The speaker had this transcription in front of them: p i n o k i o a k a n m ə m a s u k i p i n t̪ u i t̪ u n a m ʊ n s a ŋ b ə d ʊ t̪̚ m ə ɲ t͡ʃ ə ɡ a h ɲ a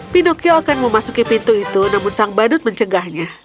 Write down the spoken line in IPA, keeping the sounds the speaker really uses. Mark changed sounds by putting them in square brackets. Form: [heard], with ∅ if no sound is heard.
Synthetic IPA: p i n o k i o a k a n m ə m a s u k i p i n t̪ u i t̪ u n a m ʊ n s a ŋ b [a] d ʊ t̪̚ m ə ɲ t͡ʃ ə ɡ a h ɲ a